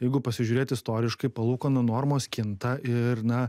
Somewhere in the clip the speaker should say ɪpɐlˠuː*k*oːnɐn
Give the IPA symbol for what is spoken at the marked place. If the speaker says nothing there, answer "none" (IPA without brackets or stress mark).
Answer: k